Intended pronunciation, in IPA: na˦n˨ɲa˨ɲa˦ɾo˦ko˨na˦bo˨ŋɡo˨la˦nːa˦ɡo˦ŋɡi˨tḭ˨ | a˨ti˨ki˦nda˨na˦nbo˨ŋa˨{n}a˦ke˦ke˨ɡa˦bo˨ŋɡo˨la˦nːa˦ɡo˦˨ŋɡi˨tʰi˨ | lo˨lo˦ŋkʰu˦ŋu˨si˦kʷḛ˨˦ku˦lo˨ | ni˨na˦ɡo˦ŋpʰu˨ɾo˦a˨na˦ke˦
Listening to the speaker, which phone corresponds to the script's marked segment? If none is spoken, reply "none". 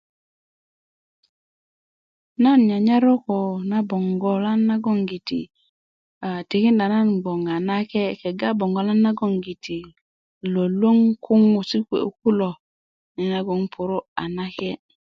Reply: n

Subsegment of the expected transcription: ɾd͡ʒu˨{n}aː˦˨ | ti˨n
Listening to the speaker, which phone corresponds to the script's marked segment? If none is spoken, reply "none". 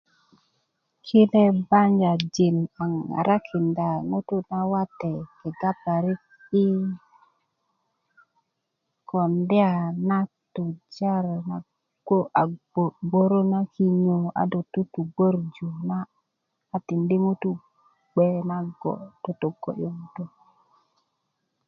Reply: n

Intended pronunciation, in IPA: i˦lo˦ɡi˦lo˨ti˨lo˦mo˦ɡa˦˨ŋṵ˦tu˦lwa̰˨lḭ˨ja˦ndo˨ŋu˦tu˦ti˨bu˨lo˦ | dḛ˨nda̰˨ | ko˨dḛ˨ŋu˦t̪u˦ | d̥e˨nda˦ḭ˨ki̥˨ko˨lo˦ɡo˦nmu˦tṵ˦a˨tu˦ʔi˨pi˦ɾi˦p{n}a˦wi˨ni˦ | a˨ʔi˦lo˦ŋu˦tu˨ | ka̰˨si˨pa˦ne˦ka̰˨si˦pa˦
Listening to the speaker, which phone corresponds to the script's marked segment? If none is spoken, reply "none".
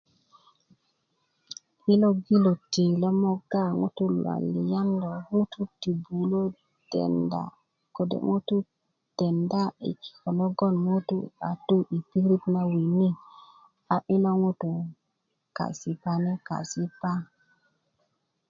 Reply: n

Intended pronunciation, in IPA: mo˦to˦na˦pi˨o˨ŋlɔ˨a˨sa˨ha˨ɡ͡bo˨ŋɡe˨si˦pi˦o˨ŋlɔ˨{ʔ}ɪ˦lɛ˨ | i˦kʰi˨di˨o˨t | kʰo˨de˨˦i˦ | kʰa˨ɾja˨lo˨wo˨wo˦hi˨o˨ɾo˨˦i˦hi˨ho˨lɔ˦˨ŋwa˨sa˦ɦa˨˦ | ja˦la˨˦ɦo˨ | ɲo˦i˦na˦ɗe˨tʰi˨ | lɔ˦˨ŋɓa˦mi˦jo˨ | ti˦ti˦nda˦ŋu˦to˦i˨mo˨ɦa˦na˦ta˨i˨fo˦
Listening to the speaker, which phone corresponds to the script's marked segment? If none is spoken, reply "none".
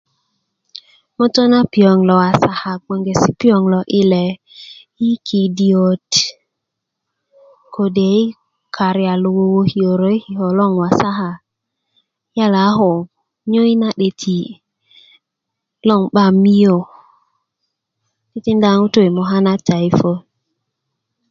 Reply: ʔ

